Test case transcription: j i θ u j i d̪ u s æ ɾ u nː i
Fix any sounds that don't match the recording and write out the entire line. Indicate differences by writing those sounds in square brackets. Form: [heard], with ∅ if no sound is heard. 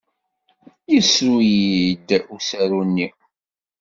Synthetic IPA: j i [s] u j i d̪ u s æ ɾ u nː i